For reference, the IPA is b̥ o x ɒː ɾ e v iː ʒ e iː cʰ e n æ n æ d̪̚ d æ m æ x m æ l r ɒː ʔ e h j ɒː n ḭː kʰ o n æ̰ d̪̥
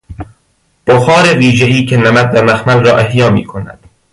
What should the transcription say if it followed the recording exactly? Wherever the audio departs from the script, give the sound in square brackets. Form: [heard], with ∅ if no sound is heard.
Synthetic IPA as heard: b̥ o x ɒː ɾ e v iː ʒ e iː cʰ e n æ [m] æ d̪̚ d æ m æ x m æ l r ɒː ʔ e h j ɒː [m] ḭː kʰ o n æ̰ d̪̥